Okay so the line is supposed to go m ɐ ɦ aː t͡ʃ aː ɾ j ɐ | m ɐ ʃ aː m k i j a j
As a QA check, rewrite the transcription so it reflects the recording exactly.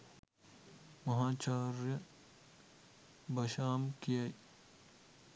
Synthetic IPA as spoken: m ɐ ɦ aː t͡ʃ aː ɾ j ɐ | b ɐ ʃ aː m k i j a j

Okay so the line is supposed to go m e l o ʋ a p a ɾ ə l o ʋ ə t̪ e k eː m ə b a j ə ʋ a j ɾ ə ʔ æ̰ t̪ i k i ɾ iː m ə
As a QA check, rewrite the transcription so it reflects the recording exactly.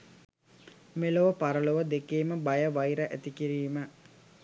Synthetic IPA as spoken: m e l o ʋ ə p a ɾ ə l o ʋ ə d̪ e k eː m ə b a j ə ʋ a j ɾ ə ʔ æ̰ t̪ i k i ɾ iː m ə

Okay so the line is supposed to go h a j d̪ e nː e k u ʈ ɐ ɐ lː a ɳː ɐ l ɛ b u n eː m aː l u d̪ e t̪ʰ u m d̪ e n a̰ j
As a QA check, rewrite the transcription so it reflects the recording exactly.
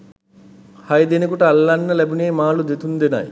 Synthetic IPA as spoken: h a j d̪ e n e k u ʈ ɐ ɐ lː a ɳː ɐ l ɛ b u n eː m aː l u d̪ e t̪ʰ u n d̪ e n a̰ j

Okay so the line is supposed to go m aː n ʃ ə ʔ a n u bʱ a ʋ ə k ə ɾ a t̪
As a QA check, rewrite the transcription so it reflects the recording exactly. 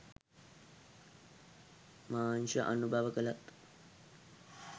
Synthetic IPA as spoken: m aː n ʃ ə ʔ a n u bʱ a ʋ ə k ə l a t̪

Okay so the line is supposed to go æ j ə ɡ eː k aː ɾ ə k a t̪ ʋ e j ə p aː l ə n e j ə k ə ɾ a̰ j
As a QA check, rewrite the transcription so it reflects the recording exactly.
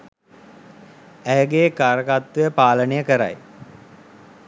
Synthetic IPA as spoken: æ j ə ɡ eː k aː ɾ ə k a t̪ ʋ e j ə p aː l ə n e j ə k ə ɾ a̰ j

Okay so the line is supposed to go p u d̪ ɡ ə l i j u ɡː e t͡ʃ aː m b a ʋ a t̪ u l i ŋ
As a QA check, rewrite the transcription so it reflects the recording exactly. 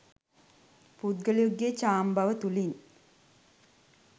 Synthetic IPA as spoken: p u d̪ ɡ ə l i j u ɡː e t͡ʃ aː m b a ʋ ə t̪ u l i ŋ

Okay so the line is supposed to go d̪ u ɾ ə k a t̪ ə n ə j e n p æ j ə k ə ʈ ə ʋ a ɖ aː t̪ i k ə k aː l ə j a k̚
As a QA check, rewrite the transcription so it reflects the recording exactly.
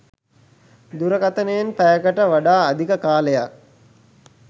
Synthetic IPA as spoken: d̪ u ɾ ə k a t̪ ə n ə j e n p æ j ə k ə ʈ ə ʋ a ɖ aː d̪ i k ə k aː l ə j a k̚

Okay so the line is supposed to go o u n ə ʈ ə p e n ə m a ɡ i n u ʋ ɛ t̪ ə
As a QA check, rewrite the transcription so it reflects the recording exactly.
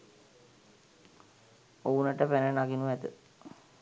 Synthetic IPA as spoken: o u n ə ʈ ə p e n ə n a ɡ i n u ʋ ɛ t̪ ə

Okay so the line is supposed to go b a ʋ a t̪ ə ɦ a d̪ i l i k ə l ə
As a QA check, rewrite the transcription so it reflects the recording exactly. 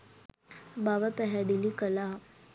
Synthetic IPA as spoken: b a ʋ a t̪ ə ɦ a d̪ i l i k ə l a

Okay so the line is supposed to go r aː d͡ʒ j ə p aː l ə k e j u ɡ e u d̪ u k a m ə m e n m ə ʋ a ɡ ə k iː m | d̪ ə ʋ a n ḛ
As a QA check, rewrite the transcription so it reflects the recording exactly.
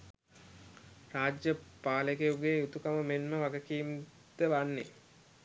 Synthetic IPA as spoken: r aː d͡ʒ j ə p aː l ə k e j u ɡ e u t̪ u k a m ə m e n m ə ʋ a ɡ ə k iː m | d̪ ə ʋ a nː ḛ

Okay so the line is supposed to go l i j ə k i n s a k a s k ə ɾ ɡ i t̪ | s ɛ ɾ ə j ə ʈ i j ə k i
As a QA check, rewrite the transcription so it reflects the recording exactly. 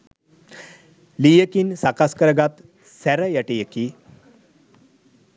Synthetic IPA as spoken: l i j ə k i n s a k a s k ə ɾ ɡ a t̪ | s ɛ ɾ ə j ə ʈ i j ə k i

